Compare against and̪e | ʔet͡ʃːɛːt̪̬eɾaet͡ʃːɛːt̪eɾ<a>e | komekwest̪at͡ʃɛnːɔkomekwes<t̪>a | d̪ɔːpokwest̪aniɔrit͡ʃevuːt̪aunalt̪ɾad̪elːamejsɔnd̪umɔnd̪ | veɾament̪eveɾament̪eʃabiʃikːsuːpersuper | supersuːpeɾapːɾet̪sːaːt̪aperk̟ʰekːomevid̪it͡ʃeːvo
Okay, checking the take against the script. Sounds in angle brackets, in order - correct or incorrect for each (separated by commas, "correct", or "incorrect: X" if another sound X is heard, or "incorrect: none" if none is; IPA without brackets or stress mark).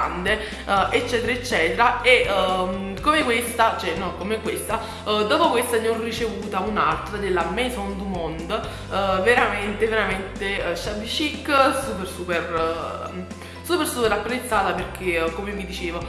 correct, correct